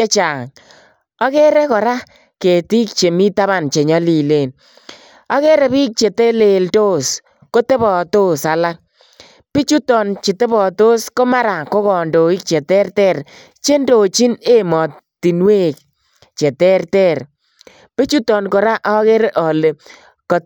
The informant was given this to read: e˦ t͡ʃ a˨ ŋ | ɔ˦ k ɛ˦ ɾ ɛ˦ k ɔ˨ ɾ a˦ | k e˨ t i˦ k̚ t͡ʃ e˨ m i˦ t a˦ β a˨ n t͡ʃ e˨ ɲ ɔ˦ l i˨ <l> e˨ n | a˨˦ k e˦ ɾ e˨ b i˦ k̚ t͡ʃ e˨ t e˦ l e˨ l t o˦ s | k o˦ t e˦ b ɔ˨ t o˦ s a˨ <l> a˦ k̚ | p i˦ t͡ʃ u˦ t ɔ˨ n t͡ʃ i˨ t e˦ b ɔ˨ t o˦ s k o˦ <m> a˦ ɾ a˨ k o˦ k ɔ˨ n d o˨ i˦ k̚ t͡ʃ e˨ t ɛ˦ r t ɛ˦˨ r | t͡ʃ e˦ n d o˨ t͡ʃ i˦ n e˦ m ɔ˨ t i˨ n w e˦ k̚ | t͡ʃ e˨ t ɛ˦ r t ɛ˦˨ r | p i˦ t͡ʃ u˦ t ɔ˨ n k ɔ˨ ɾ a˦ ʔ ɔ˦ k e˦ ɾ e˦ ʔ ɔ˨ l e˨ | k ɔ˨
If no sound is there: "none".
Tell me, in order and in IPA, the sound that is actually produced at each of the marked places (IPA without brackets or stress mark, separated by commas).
l, l, m